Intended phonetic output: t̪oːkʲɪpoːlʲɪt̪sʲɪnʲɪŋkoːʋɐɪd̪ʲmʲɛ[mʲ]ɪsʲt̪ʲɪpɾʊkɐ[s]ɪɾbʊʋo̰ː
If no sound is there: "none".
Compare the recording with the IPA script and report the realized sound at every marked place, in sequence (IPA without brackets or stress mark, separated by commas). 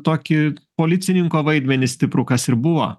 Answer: nʲ, s